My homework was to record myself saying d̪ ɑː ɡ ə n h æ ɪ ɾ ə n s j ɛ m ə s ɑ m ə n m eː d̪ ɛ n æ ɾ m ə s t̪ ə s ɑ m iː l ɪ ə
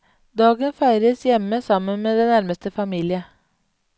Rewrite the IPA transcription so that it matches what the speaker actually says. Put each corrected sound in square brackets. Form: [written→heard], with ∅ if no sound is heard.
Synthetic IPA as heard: d̪ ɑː ɡ ə n [h→f] æ ɪ ɾ ə [n→∅] s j ɛ m ə s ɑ m ə n m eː d̪ ɛ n æ ɾ m ə s t̪ ə [s→f] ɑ m iː l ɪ ə